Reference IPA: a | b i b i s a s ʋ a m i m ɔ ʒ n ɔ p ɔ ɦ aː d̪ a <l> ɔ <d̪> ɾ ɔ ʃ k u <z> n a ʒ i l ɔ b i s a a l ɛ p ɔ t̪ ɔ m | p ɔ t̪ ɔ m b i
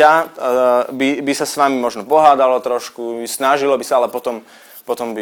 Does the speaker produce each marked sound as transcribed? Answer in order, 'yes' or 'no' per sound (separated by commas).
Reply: yes, no, no